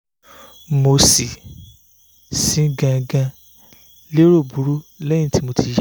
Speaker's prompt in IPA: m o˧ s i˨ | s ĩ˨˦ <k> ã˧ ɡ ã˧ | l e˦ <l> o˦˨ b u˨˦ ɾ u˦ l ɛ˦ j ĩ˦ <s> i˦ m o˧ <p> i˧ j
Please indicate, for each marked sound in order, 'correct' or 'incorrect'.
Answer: incorrect: ɡ, incorrect: ɾ, incorrect: t, incorrect: t

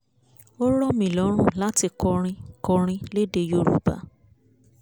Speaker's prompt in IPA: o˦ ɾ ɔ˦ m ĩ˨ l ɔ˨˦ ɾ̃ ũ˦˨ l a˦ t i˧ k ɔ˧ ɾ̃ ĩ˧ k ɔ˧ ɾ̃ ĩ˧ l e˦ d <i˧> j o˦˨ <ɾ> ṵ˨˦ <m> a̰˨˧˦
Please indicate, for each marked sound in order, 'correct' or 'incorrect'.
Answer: incorrect: e˧, correct, incorrect: b

